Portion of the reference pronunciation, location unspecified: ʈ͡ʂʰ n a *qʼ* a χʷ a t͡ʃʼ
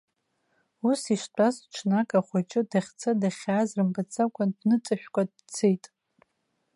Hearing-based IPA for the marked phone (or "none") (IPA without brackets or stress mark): kʼ